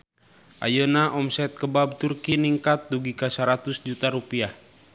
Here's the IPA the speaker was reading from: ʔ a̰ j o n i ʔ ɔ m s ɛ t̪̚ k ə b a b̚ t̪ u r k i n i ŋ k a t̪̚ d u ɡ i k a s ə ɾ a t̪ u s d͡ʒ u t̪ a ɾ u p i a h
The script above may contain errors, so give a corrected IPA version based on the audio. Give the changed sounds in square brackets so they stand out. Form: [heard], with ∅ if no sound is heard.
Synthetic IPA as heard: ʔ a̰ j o n [a] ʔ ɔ m s ɛ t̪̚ k ə b a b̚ t̪ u r k i n i ŋ k a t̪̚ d u ɡ i k a s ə ɾ a t̪ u s d͡ʒ u t̪ a ɾ u p i a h